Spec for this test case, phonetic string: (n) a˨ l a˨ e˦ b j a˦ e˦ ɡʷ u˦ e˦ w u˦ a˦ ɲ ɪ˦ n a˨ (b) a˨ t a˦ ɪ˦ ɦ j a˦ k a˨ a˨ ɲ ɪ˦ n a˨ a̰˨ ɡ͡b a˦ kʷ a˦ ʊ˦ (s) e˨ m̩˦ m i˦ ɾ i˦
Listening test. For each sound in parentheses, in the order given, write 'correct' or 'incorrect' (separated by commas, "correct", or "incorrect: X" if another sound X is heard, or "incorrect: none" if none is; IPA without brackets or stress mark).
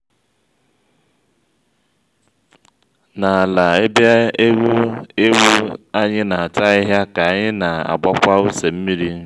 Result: correct, incorrect: none, correct